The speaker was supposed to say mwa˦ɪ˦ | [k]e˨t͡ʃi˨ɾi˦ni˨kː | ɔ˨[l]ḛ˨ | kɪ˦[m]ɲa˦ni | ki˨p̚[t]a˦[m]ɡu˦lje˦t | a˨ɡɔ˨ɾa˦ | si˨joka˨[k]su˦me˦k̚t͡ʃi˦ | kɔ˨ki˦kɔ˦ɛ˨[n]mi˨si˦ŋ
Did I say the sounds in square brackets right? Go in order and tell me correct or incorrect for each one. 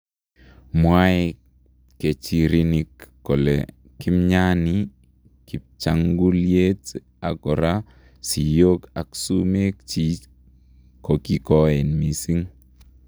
correct, correct, correct, incorrect: t͡ʃ, incorrect: ŋ, correct, correct

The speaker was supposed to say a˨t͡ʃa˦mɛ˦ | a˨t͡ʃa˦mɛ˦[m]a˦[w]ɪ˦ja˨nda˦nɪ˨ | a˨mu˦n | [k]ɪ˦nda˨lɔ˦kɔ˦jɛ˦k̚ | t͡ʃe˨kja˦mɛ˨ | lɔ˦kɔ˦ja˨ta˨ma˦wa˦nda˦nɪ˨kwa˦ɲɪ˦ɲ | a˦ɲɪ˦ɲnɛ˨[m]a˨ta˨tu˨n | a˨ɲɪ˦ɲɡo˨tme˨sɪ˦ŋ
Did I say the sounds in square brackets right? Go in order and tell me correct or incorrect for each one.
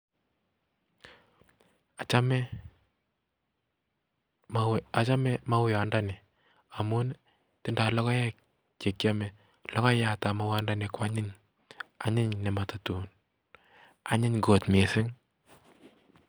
correct, correct, incorrect: t, correct

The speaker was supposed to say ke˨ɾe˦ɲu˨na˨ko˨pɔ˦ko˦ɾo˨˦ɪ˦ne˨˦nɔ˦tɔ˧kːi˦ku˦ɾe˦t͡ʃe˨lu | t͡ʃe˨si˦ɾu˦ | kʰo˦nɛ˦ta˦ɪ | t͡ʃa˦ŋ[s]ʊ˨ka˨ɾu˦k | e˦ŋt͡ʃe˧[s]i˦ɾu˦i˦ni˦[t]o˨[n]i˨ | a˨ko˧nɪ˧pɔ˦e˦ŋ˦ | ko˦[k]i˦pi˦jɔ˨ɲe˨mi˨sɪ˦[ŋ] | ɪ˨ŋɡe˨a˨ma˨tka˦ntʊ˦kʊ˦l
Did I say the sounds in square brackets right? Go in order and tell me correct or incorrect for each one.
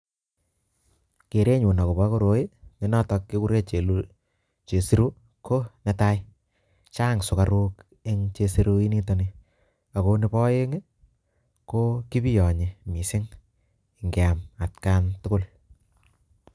correct, correct, correct, correct, correct, correct

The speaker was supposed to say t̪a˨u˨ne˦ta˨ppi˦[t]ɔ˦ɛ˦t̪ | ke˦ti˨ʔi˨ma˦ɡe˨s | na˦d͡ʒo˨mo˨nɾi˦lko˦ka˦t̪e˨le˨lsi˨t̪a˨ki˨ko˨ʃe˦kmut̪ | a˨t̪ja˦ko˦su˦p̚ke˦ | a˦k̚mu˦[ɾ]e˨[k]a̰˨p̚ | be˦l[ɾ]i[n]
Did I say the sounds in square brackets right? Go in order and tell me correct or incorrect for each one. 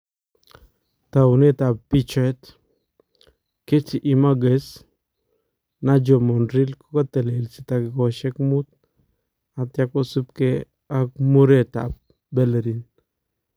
incorrect: t͡ʃ, correct, incorrect: t, correct, correct

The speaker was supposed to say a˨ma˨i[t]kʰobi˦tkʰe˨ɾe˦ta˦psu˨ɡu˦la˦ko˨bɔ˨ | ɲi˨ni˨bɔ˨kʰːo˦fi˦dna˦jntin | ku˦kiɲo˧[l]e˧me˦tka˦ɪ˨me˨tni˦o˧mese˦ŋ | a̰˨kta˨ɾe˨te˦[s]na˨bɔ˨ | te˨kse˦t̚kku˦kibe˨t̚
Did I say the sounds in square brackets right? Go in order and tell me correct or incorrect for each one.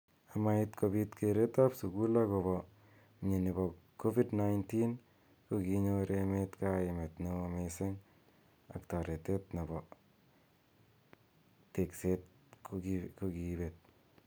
correct, incorrect: ɾ, incorrect: t

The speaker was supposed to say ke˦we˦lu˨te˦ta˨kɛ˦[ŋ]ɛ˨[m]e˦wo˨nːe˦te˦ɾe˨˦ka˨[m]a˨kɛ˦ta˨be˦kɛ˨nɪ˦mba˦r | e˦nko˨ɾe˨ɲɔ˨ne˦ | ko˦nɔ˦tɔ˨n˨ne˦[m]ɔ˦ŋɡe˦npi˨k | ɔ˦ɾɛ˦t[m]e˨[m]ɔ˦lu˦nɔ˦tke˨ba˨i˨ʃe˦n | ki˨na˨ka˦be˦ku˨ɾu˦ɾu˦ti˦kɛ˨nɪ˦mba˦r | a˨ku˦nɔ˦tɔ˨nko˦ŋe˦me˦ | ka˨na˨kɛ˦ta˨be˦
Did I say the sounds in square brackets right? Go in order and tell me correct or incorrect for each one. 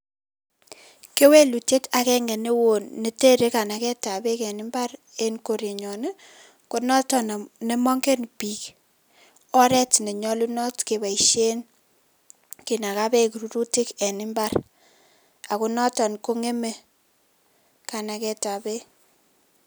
correct, incorrect: n, incorrect: n, correct, incorrect: n, incorrect: ɲ

